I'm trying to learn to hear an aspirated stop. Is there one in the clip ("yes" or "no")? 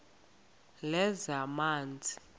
no